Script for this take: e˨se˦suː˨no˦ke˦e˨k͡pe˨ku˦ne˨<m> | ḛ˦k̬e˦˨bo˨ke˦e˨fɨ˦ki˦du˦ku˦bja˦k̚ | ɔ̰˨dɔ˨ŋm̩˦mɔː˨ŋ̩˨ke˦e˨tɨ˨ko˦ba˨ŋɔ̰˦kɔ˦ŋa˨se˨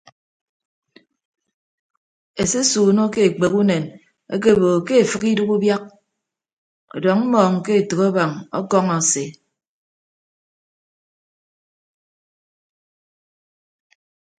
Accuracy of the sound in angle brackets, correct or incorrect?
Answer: incorrect: n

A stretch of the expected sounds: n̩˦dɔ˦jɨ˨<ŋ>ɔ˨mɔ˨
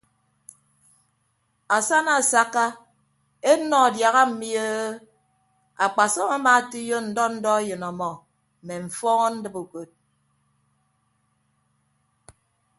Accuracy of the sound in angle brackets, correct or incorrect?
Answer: incorrect: n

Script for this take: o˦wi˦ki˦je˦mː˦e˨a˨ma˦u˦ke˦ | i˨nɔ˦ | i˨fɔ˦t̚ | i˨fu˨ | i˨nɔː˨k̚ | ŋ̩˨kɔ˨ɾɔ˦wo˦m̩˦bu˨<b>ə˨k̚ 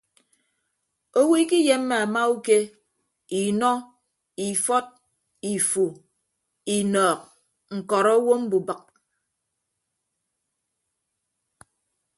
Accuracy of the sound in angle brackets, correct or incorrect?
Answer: correct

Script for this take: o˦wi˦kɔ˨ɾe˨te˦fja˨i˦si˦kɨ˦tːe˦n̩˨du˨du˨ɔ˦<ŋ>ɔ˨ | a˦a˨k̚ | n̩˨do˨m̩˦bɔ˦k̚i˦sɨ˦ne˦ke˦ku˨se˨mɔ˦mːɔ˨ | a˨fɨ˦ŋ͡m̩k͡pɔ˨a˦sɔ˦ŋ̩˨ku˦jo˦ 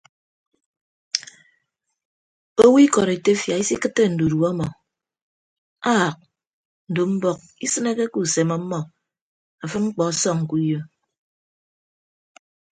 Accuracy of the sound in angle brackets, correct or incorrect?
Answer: incorrect: m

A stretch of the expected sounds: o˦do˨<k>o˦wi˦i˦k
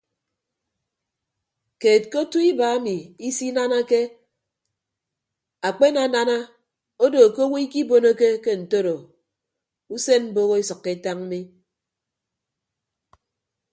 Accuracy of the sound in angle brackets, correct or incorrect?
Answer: correct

